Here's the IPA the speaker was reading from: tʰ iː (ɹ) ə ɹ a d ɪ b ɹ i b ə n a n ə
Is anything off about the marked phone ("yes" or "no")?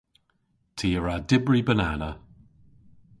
yes